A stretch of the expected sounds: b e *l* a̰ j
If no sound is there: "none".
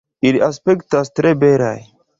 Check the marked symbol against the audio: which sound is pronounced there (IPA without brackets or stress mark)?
ɾ